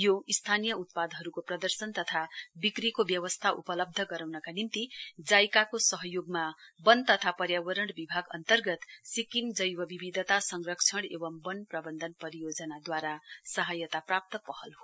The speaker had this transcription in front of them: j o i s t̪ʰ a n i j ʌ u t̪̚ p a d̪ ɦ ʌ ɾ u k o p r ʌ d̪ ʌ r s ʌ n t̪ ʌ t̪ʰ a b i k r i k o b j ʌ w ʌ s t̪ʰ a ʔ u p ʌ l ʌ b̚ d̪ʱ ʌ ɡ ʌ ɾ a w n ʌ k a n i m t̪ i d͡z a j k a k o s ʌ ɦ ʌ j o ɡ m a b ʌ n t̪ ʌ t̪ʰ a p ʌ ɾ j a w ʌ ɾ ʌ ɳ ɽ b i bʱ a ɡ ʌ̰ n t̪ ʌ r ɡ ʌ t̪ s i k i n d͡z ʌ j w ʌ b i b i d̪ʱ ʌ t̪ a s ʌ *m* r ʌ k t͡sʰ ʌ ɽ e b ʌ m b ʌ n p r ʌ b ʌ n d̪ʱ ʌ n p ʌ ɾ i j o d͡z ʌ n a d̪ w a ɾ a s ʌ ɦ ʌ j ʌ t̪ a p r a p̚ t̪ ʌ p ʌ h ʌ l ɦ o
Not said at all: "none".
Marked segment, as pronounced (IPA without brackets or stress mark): ŋ